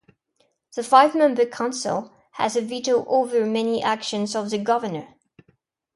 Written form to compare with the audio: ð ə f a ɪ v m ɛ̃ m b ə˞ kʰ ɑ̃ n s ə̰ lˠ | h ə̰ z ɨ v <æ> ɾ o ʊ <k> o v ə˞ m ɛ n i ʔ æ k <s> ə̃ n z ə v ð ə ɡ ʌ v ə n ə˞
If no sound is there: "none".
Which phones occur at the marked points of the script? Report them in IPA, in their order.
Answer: i, ʔ, ʃ

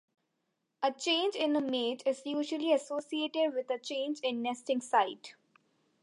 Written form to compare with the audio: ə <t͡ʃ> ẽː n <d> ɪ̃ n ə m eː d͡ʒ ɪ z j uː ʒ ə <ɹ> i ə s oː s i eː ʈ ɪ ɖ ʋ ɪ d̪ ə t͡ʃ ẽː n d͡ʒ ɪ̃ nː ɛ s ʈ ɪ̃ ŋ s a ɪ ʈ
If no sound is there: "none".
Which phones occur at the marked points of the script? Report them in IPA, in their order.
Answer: t͡ʃ, d͡ʒ, l

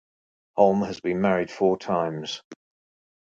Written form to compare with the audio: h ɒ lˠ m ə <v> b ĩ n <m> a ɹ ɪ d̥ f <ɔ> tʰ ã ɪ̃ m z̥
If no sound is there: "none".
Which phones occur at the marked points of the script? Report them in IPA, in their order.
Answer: z, m, ɔː

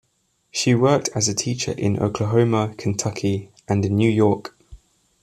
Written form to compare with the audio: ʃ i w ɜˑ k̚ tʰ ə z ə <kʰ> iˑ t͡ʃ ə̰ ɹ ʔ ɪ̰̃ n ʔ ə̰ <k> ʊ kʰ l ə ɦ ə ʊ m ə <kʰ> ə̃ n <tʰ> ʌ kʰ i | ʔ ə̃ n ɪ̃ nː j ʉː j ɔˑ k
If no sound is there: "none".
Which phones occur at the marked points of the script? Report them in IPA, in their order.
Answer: tʰ, none, kʰ, tʰ

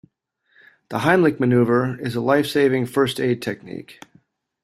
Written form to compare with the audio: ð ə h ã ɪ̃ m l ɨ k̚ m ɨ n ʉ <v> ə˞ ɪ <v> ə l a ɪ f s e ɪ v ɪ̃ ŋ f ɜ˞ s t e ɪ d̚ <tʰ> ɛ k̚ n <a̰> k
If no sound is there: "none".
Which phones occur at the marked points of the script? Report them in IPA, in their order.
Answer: v, z, tʰ, ḭ

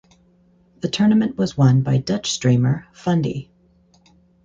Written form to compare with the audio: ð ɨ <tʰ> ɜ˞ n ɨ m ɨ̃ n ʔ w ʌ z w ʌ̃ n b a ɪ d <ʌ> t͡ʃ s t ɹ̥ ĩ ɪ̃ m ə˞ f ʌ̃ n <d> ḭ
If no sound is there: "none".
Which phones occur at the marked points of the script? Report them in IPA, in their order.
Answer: tʰ, ʌ, d

